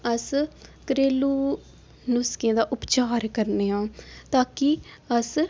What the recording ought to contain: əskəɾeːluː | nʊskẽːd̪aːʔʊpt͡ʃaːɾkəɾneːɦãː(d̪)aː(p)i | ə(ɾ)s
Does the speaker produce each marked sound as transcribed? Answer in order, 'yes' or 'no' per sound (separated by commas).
no, no, no